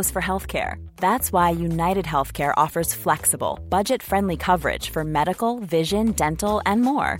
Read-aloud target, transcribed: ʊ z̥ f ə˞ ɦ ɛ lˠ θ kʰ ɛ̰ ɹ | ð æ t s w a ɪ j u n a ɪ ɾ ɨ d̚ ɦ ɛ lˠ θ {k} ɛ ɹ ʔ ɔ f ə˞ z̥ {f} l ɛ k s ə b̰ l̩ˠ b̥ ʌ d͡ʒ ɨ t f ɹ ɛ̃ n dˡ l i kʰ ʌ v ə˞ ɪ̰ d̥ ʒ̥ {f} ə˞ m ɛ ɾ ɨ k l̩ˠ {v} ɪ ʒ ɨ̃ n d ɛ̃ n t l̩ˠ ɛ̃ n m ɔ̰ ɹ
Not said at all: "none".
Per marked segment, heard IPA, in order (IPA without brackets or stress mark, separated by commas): kʰ, f, f, v